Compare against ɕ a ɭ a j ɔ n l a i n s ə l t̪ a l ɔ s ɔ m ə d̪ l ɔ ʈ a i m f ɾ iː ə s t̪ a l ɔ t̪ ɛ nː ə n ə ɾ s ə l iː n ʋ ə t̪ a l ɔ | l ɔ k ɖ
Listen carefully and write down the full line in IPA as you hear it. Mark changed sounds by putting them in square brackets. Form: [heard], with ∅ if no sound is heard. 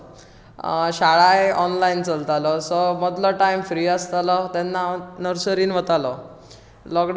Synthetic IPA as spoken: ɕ a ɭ a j ɔ n l a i n [t͡s] ə l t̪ a l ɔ s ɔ m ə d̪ l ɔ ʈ a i m f ɾ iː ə s t̪ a l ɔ t̪ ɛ nː [a] n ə ɾ s ə [ɾ] iː n ʋ ə t̪ a l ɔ | l ɔ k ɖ